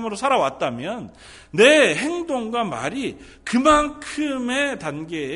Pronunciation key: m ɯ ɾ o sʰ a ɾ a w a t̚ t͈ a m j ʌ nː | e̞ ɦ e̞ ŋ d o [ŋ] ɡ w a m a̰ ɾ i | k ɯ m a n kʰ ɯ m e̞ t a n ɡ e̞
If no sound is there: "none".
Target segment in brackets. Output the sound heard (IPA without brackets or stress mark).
ŋ